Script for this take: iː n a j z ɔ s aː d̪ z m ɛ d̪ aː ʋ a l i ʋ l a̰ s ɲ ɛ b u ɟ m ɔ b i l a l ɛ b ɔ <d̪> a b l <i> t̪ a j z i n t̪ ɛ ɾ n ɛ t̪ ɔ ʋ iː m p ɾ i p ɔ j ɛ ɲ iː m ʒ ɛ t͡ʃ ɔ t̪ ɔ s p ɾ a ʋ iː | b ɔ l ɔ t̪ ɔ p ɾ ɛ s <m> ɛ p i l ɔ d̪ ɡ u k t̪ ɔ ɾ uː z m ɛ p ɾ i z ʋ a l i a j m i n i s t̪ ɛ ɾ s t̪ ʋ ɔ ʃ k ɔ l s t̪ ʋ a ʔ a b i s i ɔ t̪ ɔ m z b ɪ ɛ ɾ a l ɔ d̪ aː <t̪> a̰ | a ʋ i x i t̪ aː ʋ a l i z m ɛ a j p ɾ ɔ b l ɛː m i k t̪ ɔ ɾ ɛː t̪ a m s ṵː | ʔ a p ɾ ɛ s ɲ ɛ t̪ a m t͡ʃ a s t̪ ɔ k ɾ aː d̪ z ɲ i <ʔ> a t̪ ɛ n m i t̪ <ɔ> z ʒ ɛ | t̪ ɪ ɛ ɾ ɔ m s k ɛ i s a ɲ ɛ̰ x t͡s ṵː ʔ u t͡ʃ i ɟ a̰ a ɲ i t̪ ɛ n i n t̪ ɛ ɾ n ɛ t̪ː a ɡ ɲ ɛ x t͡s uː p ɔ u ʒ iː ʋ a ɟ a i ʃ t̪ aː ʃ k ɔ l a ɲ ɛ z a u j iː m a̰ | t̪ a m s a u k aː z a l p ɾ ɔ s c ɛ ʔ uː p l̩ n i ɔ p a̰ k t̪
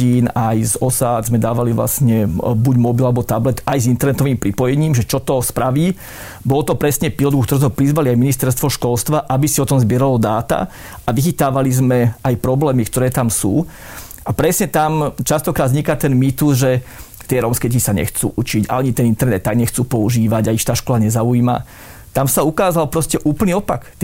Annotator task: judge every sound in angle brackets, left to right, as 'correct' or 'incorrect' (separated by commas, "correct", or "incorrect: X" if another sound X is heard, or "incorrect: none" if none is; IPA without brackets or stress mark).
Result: incorrect: t̪, incorrect: ɛ, incorrect: ɲ, correct, incorrect: k, incorrect: u